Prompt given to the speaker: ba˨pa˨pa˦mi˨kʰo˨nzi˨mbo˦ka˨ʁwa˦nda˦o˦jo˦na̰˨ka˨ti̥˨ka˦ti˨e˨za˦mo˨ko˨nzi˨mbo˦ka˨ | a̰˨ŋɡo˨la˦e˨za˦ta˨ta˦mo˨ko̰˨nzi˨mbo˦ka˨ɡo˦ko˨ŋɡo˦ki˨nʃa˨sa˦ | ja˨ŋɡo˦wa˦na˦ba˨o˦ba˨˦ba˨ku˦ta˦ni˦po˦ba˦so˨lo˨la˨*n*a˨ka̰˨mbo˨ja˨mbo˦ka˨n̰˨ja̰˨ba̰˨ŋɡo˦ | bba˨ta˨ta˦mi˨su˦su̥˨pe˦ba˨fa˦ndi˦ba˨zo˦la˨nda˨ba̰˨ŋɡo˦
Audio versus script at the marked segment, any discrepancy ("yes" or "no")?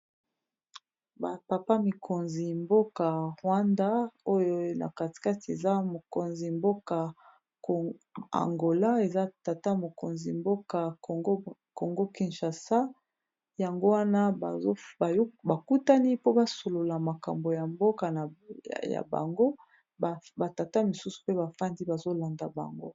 yes